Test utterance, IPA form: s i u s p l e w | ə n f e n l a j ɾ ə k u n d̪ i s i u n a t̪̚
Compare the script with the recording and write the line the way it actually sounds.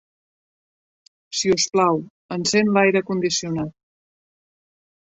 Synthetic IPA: s i u s p l a w | ə n s e n l a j ɾ ə k u n d̪ i s i u n a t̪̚